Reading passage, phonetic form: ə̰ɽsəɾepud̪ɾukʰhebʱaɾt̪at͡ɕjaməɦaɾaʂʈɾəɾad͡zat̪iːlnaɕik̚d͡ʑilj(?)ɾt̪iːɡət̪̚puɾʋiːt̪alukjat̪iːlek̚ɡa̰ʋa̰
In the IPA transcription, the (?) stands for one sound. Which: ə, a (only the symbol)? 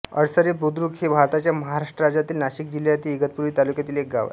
a